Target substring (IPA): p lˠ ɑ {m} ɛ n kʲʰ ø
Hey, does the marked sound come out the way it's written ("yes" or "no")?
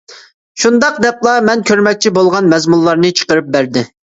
yes